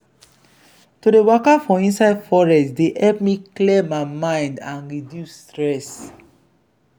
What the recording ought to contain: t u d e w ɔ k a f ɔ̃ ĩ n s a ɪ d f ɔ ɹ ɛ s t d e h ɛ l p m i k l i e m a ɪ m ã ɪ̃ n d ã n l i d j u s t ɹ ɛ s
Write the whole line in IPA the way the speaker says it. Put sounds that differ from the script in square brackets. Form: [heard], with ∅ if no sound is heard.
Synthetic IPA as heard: t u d e w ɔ k a f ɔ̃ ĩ n s a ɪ d f ɔ ɹ ɛ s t d e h ɛ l p m i k l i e m a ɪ m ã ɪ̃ n d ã n [ɹ] i d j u s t ɹ ɛ s